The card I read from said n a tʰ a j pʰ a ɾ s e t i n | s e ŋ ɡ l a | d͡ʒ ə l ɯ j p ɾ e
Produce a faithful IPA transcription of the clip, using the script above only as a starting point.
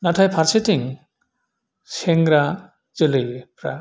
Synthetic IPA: n a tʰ a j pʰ a ɾ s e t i ŋ | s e ŋ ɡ ɾ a | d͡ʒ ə l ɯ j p ɾ a